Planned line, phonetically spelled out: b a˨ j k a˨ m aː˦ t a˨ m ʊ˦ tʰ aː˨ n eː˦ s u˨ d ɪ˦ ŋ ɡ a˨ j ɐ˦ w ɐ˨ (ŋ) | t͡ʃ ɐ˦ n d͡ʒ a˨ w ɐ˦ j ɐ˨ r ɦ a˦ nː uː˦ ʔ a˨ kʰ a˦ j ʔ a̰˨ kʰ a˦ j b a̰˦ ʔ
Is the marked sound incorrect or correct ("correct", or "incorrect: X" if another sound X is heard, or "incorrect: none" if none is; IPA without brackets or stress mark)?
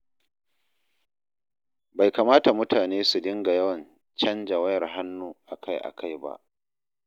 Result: incorrect: n